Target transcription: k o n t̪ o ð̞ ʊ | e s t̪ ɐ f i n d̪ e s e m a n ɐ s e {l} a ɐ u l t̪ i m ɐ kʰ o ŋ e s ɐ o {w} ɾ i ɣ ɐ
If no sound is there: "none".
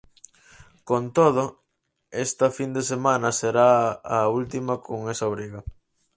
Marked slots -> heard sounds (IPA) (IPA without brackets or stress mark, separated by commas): ɾ, β